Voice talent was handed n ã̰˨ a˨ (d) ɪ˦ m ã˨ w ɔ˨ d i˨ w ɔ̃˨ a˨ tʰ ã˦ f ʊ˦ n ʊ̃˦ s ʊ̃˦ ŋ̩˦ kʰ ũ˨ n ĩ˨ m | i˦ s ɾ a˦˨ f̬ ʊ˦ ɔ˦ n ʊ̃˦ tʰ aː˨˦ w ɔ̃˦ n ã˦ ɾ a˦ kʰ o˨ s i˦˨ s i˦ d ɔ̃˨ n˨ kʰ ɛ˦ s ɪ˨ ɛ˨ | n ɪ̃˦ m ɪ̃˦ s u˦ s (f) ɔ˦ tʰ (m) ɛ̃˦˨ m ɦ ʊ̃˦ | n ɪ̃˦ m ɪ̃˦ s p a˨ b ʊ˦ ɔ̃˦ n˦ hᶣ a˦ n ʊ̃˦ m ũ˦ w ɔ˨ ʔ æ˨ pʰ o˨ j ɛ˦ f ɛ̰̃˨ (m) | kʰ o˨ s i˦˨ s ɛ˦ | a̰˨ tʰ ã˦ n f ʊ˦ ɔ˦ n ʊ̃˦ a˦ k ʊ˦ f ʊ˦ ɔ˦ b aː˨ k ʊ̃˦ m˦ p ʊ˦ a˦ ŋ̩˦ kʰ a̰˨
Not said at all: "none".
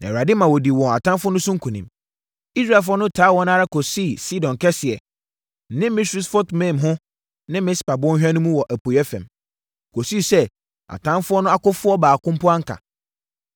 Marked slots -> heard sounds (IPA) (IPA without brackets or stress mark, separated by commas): d, f, m, m